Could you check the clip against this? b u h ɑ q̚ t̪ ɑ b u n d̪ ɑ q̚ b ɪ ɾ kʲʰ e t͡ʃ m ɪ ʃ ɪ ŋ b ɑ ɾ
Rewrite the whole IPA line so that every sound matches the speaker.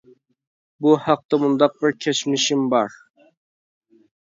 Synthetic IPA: b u h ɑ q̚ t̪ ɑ m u n d̪ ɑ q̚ b ɪ ɾ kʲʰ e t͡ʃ m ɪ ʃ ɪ m b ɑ ɾ